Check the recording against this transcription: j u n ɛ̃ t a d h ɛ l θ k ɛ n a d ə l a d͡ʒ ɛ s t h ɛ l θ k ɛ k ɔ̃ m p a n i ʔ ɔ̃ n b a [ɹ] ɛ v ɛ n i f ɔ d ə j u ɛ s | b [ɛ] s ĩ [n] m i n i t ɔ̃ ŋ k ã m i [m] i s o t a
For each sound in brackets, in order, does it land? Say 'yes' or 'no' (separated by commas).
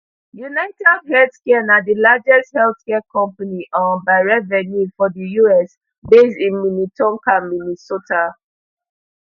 yes, no, yes, no